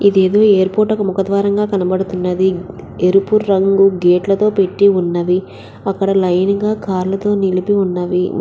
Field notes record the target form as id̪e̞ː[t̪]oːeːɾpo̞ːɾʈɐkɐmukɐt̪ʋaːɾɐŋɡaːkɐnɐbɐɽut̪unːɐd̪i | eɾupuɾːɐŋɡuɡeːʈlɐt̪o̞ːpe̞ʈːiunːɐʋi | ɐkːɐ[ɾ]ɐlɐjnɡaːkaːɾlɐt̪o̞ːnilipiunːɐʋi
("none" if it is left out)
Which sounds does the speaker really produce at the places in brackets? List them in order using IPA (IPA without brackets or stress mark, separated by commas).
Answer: d̪, ɽ